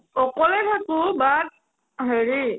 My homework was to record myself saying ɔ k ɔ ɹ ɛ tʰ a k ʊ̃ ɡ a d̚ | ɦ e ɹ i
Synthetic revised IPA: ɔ k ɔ l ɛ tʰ a k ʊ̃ b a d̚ | ɦ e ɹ i